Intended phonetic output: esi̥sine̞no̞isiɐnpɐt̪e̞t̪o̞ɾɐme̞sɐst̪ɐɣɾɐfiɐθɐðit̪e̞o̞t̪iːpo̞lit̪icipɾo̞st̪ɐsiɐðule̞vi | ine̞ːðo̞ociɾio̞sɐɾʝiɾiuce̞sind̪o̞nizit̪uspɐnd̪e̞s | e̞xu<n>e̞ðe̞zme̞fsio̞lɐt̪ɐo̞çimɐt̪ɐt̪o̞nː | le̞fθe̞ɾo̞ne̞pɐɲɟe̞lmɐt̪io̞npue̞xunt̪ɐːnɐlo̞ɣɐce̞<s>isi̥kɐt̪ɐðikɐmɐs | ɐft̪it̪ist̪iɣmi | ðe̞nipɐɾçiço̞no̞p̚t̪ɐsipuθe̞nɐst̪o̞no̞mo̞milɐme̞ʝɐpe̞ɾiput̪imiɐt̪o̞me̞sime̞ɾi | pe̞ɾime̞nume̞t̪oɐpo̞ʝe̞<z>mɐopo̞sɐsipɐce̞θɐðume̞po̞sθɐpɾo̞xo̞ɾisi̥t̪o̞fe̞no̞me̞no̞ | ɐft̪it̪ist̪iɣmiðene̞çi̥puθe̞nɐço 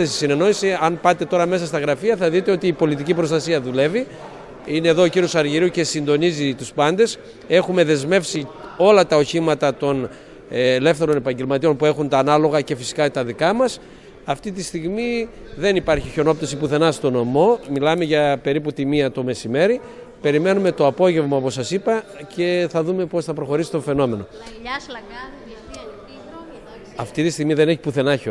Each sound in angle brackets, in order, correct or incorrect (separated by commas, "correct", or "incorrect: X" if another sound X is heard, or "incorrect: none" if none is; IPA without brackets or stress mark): incorrect: m, incorrect: f, incorrect: v